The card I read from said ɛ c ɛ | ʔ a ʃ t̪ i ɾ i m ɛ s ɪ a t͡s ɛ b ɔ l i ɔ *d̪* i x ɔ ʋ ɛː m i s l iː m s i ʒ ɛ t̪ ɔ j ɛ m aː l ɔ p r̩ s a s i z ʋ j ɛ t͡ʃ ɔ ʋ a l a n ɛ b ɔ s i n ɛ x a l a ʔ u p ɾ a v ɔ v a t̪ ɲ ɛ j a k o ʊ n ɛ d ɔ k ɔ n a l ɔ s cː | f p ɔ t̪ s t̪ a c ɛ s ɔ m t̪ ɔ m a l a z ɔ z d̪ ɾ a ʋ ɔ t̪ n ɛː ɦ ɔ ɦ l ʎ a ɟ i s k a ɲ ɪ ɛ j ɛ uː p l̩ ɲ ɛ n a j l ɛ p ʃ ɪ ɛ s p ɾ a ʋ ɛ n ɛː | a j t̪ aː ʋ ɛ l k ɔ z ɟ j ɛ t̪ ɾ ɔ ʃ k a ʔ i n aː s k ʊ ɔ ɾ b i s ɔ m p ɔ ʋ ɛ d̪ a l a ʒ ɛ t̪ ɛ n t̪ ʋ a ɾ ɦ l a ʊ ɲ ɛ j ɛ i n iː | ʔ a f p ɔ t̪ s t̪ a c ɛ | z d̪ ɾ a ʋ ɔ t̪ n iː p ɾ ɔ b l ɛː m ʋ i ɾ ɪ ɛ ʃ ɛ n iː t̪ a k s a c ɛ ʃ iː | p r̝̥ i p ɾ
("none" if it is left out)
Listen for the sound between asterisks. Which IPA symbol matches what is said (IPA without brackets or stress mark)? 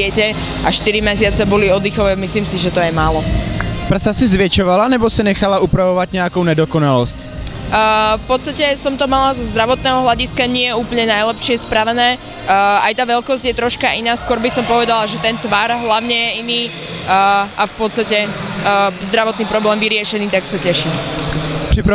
d̪